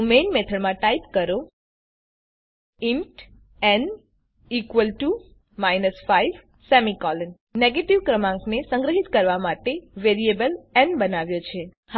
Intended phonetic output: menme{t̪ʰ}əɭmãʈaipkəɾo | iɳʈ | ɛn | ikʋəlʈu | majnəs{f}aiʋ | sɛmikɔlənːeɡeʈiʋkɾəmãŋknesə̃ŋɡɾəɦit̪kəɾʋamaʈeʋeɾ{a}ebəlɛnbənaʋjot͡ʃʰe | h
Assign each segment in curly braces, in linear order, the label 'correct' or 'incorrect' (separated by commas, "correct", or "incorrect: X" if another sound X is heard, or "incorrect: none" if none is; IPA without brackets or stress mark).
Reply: correct, correct, incorrect: i